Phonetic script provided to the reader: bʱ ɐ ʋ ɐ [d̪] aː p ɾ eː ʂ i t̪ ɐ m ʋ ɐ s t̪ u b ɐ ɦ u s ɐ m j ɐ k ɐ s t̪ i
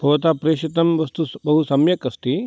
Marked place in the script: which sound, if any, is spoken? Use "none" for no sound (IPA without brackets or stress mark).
t̪